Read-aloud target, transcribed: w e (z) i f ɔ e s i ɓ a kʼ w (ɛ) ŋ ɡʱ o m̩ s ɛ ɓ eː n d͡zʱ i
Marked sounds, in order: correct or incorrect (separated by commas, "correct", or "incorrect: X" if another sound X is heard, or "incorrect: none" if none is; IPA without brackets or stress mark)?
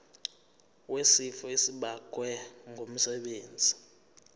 incorrect: s, correct